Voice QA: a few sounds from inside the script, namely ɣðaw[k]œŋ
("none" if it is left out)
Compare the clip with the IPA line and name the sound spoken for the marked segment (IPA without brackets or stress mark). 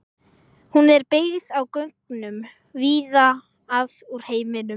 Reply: k